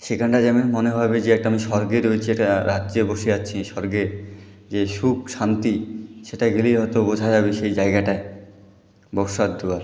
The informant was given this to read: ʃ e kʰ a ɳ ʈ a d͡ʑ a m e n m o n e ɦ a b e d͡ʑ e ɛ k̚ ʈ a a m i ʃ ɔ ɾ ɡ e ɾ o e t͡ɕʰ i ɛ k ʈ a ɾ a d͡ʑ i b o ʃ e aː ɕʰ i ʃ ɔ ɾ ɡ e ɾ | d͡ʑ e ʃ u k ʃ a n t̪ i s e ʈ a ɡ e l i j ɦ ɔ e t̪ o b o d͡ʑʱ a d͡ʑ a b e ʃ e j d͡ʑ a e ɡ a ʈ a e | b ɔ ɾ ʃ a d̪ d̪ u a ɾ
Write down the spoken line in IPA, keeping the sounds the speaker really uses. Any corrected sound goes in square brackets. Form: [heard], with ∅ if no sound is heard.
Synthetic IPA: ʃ e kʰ a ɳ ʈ a d͡ʑ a m e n m o n e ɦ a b e d͡ʑ e ɛ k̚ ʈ a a m i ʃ ɔ ɾ ɡ e ɾ o e t͡ɕʰ i ɛ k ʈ a ɾ a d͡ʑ [e] b o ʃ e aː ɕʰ i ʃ ɔ ɾ ɡ e ɾ | d͡ʑ e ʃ u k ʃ a n t̪ i [ʃ] e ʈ a ɡ e l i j ɦ ɔ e t̪ o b o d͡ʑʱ a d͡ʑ a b e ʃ e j d͡ʑ a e ɡ a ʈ a e | b ɔ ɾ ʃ a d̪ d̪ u a ɾ